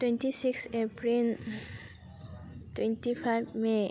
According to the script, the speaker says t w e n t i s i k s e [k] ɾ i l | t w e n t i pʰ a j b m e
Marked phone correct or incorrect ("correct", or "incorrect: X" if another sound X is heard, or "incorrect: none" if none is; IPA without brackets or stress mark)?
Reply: incorrect: p